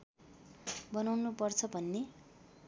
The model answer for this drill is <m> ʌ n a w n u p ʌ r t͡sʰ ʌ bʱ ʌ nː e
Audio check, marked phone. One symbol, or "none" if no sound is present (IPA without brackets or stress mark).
b